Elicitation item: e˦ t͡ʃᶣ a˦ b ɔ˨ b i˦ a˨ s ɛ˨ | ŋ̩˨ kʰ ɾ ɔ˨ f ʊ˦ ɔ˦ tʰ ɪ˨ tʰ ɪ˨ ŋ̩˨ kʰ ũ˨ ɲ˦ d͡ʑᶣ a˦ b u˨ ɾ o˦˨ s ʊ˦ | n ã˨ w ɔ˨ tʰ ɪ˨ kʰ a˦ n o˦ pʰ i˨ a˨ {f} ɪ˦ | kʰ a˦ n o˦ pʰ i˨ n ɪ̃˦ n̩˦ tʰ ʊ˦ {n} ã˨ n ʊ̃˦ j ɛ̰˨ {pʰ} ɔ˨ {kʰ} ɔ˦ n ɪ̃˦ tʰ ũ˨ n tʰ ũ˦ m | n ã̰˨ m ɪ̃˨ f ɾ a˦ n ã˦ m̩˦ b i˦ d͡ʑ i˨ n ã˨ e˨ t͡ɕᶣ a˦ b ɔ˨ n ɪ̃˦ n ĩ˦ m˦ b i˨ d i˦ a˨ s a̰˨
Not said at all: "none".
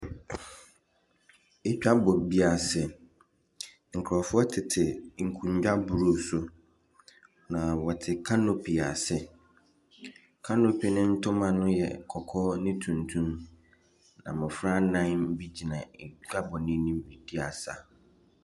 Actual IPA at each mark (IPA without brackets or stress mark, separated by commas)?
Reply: s, m, kʰ, kʰ